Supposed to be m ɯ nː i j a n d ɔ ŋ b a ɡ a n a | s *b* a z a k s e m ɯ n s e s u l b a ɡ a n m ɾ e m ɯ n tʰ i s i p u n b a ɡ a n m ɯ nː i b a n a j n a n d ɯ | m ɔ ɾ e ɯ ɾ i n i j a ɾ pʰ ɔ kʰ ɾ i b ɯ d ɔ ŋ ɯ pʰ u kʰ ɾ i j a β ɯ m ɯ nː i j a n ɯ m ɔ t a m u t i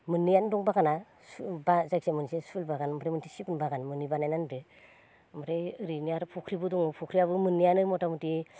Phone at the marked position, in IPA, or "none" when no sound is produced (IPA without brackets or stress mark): b